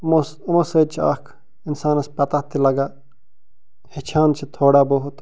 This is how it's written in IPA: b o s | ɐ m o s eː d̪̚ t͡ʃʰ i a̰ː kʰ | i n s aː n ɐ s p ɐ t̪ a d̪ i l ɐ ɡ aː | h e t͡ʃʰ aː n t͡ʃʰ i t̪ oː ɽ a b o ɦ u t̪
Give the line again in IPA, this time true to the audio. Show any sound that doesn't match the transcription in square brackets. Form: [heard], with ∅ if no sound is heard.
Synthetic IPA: [m] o s | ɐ m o s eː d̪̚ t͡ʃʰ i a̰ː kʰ | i n s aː n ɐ s p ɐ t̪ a [t̪] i l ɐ ɡ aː | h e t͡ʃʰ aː n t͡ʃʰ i [t̪ʰ] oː ɽ a b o ɦ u t̪

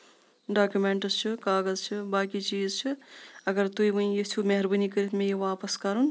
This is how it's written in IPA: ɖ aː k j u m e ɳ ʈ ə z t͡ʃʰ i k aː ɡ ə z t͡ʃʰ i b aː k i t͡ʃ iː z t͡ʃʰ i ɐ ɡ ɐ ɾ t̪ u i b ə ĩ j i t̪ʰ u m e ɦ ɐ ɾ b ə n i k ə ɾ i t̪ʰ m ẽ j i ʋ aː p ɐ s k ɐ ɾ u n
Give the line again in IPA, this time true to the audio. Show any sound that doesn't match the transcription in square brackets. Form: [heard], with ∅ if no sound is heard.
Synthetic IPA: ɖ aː k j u m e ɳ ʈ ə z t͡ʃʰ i k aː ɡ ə z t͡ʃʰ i b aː k i t͡ʃ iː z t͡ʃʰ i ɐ ɡ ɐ ɾ t̪ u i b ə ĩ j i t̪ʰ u m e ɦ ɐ ɾ b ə n i k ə ɾ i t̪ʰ m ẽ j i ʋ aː p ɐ s k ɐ ɾ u n

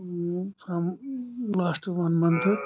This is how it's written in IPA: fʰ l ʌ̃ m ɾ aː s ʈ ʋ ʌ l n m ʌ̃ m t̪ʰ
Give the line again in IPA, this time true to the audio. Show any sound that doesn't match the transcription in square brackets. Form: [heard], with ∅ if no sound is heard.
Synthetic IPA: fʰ [ɾ] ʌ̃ m [l] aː s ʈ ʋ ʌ [∅] n m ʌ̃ [n] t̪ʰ

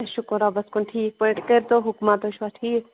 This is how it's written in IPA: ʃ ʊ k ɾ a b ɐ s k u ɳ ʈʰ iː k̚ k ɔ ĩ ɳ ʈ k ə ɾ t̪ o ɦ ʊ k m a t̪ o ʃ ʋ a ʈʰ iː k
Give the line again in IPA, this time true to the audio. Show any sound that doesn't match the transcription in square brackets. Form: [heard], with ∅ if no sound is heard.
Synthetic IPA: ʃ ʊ k ɾ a b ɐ s k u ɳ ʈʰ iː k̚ [p] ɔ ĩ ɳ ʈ k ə ɾ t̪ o ɦ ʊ k m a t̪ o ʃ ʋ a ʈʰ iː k

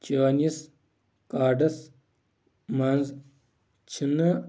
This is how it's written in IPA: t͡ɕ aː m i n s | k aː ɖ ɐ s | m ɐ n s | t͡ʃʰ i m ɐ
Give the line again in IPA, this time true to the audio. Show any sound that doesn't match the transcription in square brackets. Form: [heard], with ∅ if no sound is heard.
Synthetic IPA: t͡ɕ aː [n] i [∅] s | k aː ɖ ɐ s | m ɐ n [z] | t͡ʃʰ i [n] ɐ

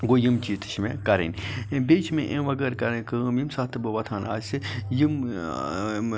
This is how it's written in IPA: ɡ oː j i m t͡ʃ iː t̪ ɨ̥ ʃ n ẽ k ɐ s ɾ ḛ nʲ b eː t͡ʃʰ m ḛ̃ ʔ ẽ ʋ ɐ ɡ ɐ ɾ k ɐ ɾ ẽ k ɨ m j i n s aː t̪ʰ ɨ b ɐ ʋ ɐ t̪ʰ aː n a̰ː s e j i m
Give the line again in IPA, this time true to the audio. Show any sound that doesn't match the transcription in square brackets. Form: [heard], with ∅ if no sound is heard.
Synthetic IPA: ɡ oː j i m t͡ʃ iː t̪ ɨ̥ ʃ [m] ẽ k ɐ [∅] ɾ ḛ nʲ b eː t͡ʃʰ m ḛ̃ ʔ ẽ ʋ ɐ ɡ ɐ ɾ k ɐ ɾ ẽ k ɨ m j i [m] s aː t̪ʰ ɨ b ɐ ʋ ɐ t̪ʰ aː n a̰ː s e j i m

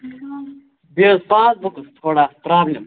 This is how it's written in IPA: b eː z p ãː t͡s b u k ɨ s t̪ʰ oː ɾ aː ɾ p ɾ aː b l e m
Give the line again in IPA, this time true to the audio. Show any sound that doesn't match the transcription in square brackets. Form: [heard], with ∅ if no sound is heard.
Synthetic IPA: b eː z p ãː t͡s b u k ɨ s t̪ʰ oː [ɽ] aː [∅] p ɾ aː b l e m

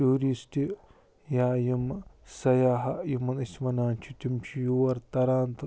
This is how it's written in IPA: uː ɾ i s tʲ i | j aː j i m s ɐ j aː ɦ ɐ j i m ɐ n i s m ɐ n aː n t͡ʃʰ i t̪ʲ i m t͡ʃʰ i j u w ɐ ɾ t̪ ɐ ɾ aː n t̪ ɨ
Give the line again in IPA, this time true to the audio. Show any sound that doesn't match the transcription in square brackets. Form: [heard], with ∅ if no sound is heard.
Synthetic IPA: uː ɾ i s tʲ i | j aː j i m s ɐ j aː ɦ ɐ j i m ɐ n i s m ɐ n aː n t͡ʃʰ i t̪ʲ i m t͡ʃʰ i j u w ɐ ɾ t̪ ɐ ɾ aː n t̪ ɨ

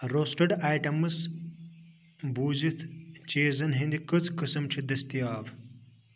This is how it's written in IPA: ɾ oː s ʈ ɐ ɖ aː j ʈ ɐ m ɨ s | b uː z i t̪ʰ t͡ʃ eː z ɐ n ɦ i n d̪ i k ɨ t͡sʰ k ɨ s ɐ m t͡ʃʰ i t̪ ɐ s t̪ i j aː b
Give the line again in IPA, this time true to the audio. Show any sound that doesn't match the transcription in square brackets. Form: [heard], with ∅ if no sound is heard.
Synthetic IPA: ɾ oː s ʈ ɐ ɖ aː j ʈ ɐ m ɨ s | b uː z i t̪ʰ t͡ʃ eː z ɐ n ɦ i n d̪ i k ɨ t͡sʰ k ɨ s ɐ m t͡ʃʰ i [d̪] ɐ s t̪ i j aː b

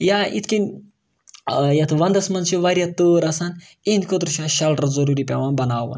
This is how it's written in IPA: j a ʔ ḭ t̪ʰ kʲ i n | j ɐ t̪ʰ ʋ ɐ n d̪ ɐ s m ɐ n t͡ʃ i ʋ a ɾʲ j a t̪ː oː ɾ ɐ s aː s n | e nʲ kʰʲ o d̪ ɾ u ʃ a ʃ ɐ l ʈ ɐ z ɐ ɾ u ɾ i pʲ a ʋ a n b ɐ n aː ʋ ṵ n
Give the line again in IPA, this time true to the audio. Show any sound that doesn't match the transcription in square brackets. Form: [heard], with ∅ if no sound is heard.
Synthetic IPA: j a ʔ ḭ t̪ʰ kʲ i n | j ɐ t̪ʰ ʋ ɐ n d̪ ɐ s m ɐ n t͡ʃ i ʋ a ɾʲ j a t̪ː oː ɾ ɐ s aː [∅] n | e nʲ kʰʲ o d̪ ɾ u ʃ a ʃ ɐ l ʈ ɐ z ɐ ɾ u ɾ i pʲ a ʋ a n b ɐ n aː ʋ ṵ n

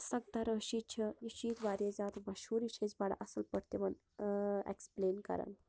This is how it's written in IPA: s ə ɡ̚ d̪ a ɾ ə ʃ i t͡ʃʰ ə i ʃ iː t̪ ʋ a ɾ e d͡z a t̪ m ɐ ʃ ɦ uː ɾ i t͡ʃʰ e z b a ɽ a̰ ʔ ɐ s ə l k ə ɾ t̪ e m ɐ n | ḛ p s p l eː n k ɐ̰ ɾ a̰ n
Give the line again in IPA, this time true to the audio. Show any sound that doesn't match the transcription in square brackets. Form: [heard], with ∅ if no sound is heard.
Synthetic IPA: s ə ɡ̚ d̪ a ɾ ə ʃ i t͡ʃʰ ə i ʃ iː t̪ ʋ a ɾ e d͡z a t̪ m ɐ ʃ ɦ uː ɾ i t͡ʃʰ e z b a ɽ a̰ ʔ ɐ s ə l [p] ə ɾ t̪ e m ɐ n | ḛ [k] s p l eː n k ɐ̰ ɾ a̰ n

